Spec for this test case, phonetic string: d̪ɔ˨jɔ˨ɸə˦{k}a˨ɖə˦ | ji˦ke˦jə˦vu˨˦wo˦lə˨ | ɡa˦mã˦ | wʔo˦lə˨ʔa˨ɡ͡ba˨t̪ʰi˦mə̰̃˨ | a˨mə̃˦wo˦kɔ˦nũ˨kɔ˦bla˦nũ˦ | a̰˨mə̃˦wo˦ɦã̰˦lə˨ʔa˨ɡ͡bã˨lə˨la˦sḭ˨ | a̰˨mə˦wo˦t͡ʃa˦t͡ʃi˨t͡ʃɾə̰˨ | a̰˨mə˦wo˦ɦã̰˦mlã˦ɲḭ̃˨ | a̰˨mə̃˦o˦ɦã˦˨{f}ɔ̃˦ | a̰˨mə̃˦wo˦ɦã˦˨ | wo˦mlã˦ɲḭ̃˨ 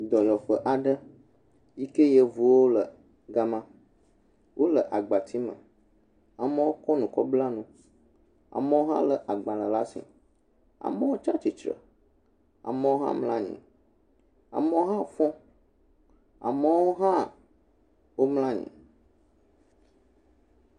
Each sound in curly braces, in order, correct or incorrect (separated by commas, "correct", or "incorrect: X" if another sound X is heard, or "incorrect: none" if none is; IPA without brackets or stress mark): incorrect: ʔ, correct